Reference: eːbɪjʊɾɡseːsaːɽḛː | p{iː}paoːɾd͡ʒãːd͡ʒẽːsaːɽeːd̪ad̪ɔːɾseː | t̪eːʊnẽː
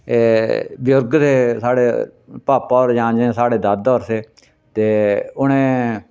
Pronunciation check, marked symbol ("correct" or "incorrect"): incorrect